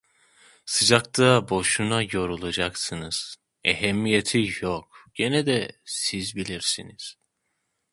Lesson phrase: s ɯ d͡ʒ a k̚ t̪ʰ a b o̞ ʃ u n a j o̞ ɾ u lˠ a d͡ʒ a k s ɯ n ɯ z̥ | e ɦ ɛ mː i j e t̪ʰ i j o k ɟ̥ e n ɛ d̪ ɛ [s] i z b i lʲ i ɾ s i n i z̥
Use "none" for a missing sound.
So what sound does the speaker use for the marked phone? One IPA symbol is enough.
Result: s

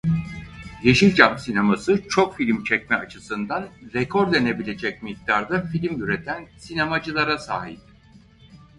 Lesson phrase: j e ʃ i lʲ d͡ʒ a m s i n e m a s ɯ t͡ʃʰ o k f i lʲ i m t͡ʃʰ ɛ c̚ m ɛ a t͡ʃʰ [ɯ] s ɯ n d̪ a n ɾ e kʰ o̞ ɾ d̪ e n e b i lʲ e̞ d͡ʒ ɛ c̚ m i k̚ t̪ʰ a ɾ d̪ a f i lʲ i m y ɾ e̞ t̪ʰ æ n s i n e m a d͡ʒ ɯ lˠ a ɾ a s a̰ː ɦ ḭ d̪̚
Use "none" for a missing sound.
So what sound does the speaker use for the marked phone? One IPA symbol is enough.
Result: ɯ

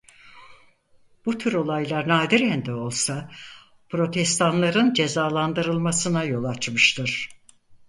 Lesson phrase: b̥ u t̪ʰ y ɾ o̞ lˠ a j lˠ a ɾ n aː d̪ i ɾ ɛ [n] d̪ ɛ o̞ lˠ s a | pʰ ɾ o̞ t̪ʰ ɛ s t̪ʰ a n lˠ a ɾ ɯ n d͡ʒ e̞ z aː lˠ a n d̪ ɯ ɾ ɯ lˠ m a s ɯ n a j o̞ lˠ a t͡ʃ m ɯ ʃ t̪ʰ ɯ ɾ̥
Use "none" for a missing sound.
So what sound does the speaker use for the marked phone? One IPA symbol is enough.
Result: n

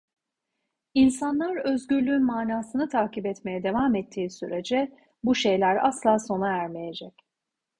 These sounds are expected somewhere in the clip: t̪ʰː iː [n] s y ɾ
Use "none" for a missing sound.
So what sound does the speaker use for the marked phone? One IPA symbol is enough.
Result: none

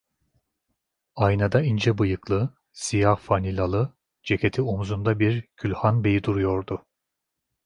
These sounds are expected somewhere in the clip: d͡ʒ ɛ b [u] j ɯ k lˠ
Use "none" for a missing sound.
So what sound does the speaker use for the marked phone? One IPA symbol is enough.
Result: ɯ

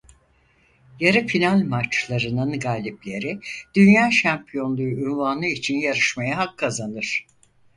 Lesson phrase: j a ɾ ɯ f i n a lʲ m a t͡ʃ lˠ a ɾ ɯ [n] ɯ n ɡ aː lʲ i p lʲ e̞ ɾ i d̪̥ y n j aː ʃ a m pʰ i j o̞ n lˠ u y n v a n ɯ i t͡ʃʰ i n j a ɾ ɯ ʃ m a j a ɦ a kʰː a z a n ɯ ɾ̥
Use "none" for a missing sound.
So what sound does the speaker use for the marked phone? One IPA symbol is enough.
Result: n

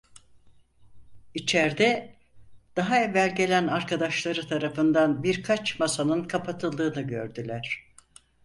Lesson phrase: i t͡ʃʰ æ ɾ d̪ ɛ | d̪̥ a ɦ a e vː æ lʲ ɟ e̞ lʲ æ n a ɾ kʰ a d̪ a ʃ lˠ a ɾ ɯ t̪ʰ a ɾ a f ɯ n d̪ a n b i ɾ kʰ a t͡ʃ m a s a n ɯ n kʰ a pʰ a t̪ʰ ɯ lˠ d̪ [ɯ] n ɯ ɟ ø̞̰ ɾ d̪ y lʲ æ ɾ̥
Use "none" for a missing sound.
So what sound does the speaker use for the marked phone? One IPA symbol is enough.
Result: ɯː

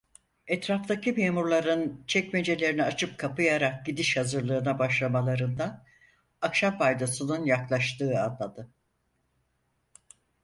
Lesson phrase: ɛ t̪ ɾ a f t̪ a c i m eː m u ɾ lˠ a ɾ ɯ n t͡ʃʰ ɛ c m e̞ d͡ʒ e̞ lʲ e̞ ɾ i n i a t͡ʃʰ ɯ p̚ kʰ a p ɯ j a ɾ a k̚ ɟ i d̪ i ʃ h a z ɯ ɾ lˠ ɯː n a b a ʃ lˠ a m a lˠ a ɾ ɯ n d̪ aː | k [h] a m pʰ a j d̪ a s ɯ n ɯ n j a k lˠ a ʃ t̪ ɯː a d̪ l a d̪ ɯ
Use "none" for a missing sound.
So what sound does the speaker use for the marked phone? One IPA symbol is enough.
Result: ʃ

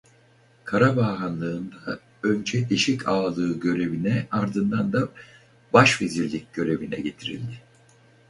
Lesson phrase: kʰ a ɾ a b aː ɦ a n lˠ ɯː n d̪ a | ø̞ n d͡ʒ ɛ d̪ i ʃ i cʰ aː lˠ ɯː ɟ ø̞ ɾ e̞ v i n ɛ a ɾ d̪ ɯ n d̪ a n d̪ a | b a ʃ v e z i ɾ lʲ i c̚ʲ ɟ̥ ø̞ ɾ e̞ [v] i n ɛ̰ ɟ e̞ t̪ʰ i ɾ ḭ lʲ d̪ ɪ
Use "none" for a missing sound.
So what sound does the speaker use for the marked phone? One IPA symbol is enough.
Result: v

